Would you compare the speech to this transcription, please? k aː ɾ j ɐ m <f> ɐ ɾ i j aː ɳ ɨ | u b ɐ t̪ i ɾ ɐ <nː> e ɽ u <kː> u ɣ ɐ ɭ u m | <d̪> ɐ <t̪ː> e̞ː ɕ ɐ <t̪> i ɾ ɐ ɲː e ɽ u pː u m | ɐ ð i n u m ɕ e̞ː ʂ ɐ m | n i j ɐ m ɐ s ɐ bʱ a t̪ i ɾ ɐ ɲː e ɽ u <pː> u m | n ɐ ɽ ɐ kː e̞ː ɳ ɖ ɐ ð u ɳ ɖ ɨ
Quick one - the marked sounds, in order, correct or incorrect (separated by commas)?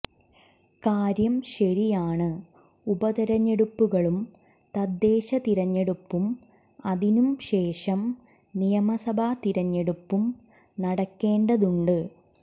incorrect, incorrect, incorrect, incorrect, incorrect, correct, correct